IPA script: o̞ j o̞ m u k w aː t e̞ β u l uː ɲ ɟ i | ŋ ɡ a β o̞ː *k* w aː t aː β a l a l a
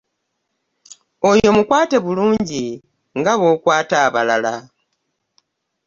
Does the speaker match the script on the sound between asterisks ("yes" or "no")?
yes